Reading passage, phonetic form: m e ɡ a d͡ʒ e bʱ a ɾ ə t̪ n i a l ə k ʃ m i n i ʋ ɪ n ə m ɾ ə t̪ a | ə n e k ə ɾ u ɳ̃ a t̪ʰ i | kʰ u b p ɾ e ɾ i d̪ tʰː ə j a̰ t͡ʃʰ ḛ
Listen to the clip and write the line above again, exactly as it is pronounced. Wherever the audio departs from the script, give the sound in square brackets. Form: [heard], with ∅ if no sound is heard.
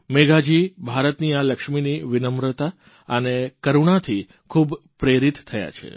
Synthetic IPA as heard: m e ɡ a d͡ʒ [i] bʱ a ɾ ə t̪ n i a l ə k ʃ m i n i ʋ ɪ n ə m ɾ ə t̪ a | ə n e k ə ɾ u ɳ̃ a t̪ʰ i | kʰ u b p ɾ e ɾ i [t̪] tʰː ə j a̰ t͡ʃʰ ḛ